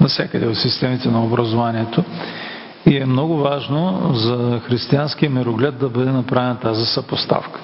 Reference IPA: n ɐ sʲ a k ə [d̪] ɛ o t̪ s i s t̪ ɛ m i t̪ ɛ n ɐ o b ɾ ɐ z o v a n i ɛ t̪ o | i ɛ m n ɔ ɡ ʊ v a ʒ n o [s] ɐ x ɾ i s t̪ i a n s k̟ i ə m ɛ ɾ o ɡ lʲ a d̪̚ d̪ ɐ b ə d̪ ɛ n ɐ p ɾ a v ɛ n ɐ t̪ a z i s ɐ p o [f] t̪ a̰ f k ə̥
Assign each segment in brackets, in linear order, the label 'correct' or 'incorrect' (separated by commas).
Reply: correct, incorrect, incorrect